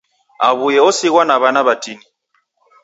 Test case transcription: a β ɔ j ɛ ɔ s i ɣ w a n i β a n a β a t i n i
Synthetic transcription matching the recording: a β u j ɛ ɔ s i ɣ w a n a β a n a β a t i n i